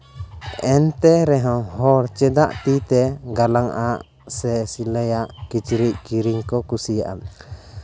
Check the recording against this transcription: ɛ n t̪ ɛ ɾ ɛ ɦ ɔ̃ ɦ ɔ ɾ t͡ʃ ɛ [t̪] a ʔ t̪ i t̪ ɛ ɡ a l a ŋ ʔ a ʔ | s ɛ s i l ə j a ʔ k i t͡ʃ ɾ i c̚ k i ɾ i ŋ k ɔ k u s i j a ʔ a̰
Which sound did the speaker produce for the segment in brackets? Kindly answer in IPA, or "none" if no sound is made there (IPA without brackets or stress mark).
d̪